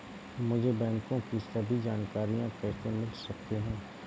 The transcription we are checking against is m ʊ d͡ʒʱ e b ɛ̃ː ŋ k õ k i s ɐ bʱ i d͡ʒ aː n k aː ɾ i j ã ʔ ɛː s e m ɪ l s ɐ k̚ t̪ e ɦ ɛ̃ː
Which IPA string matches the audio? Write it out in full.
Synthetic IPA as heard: m ʊ d͡ʒʱ e b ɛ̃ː ŋ k õ k i s ɐ bʱ i d͡ʒ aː n k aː ɾ i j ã k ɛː s e m ɪ l s ɐ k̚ t̪ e ɦ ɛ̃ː